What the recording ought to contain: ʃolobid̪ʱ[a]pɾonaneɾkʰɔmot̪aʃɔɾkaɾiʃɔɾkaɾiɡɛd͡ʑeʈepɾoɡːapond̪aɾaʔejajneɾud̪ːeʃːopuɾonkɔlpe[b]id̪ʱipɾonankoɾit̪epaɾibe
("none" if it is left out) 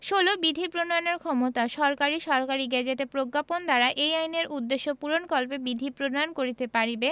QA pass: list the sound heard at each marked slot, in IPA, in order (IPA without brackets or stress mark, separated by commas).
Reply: i, b